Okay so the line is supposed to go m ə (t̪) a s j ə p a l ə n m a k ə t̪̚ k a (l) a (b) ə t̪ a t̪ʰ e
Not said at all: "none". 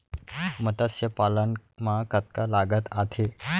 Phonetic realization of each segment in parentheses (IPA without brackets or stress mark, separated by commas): t̪, l, ɡ